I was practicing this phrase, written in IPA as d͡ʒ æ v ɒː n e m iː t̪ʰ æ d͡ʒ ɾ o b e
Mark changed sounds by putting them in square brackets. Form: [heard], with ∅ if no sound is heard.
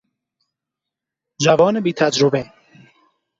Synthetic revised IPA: d͡ʒ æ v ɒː n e [b] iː t̪ʰ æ d͡ʒ ɾ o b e